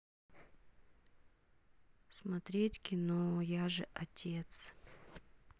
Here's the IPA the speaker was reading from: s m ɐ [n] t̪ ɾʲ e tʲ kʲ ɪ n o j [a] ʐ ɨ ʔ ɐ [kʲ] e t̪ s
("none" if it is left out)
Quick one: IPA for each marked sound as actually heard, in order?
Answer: none, a, tʲ

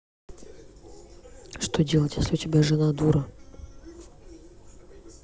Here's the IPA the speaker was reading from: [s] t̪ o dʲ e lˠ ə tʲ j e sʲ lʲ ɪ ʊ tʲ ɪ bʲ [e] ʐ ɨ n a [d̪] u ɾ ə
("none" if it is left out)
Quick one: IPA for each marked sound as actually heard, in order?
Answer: ʂ, a, d̪

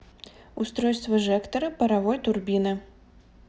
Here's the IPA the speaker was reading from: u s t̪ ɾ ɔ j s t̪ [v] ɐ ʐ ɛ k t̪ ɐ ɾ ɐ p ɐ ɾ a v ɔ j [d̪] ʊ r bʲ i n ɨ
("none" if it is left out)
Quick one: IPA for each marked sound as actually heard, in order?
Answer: v, t̪

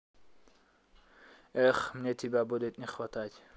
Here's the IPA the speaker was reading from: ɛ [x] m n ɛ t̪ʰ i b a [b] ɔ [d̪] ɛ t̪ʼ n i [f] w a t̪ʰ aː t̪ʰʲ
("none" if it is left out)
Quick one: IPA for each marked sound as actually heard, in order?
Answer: χ, b, d̪, χ

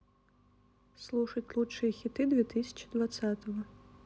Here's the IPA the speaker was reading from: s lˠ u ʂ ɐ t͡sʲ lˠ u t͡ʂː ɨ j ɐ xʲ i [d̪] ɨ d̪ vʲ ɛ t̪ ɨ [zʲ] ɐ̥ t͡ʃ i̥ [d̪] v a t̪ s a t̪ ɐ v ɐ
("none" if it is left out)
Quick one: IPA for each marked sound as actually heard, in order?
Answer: t̪, sʲ, d̪

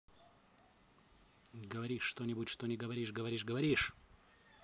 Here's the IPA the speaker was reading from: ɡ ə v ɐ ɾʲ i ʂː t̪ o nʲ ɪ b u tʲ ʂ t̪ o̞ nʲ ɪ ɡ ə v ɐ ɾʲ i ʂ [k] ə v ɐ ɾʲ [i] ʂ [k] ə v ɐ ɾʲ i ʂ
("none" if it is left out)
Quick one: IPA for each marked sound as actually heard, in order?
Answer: ɡ, i, ɡ

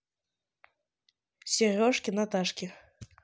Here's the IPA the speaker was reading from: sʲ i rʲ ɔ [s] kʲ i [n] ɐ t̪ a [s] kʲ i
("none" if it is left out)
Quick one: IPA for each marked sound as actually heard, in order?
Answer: ʂ, n, ʂ

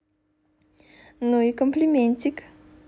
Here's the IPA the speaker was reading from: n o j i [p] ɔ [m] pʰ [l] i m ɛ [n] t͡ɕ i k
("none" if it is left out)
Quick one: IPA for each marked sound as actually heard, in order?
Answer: k, m, l, n

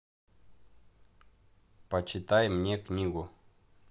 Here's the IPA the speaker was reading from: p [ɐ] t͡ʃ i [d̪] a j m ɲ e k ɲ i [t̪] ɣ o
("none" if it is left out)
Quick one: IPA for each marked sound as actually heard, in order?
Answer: a, t̪, none

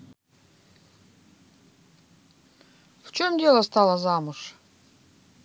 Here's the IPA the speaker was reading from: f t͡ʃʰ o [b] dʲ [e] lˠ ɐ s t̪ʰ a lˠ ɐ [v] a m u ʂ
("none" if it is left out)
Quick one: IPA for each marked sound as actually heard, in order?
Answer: m, e, z

